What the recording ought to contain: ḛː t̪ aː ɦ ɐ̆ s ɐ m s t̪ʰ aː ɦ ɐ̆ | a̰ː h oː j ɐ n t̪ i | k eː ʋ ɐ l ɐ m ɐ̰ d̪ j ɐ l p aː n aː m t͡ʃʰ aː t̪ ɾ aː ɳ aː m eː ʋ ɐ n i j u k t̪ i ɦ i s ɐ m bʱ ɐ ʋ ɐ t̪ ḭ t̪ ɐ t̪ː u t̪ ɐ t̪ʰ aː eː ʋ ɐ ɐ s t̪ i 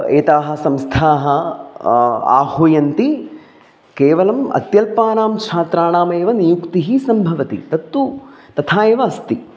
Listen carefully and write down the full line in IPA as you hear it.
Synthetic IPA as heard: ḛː t̪ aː ɦ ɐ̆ s ɐ m s t̪ʰ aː ɦ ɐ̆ | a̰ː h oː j ɐ n t̪ i | k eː ʋ ɐ l ɐ m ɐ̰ t̪ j ɐ l p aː n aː m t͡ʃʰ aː t̪ ɾ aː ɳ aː m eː ʋ ɐ n i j u k t̪ i ɦ i s ɐ m bʱ ɐ ʋ ɐ t̪ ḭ t̪ ɐ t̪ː u t̪ ɐ t̪ʰ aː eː ʋ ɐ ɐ s t̪ i

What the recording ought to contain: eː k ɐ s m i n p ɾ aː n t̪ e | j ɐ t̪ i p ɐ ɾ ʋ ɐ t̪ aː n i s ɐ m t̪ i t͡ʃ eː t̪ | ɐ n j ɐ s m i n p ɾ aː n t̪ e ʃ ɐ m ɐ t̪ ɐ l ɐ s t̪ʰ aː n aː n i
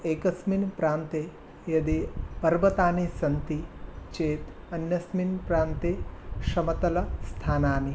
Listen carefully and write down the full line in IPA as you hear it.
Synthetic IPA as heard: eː k ɐ s m i n p ɾ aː n t̪ e | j ɐ d̪ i p ɐ ɾ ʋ ɐ t̪ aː n i s ɐ n t̪ i t͡ʃ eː t̪ | ɐ n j ɐ s m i n p ɾ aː n t̪ e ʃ ɐ m ɐ t̪ ɐ l ɐ s t̪ʰ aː n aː n i

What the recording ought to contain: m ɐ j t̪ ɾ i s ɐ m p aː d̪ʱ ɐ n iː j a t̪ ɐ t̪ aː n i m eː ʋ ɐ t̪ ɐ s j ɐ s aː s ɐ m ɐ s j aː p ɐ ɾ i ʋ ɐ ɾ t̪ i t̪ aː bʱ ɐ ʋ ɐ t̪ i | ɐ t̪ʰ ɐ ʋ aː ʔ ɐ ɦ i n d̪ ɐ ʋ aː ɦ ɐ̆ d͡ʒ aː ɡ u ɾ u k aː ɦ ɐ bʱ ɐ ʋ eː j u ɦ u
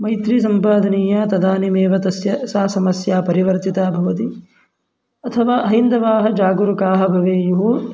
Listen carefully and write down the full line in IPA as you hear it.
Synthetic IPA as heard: m ɐ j t̪ ɾ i s ɐ m p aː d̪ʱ ɐ n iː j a t̪ ɐ d̪ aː n i m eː ʋ ɐ t̪ ɐ s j ɐ s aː s ɐ m ɐ s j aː p ɐ ɾ i ʋ ɐ ɾ t̪ i t̪ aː bʱ ɐ ʋ ɐ t̪ i | ɐ t̪ʰ ɐ ʋ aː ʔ ɐ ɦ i n d̪ ɐ ʋ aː ɦ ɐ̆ d͡ʒ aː ɡ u ɾ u k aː ɦ ɐ bʱ ɐ ʋ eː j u ɦ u

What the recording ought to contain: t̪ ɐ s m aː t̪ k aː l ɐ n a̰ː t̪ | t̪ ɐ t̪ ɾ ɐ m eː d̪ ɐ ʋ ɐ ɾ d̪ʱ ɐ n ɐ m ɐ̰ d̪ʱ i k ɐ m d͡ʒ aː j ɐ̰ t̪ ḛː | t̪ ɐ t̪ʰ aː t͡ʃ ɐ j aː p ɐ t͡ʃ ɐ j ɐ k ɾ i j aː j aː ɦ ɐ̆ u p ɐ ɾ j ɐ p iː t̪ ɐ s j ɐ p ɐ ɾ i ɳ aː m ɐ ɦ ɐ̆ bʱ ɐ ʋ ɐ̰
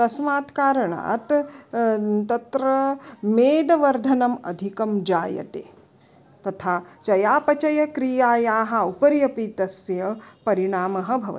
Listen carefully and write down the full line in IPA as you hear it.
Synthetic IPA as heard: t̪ ɐ s m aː t̪ k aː ɾ ɐ ɳ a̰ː t̪ | t̪ ɐ t̪ ɾ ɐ m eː d̪ ɐ ʋ ɐ ɾ d̪ʱ ɐ n ɐ m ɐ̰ d̪ʱ i k ɐ m d͡ʒ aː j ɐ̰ t̪ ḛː | t̪ ɐ t̪ʰ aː t͡ʃ ɐ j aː p ɐ t͡ʃ ɐ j ɐ k ɾ i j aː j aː ɦ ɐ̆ u p ɐ ɾ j ɐ p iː t̪ ɐ s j ɐ p ɐ ɾ i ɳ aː m ɐ ɦ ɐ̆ bʱ ɐ ʋ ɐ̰

